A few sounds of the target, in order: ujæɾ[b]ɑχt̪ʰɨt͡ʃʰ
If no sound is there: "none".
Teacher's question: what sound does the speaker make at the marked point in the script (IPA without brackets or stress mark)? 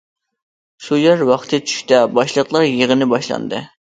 w